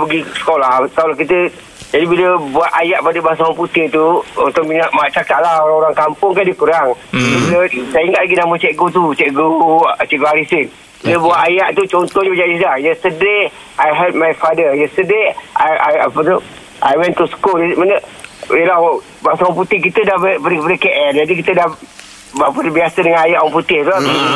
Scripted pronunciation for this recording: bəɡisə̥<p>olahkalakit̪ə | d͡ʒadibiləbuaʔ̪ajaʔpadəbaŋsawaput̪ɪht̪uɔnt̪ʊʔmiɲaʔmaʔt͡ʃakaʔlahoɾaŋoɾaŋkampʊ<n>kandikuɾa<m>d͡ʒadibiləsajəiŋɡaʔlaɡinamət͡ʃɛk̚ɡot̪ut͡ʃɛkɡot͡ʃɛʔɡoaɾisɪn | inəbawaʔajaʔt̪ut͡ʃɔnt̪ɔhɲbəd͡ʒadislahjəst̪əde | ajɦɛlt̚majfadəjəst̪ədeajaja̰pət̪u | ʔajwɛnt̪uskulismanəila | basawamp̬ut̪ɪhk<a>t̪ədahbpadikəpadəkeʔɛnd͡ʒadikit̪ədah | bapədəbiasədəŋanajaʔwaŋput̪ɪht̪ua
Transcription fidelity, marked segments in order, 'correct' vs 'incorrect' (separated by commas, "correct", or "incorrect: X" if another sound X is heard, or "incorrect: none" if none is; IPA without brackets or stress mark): incorrect: k, incorrect: ŋ, incorrect: ŋ, incorrect: i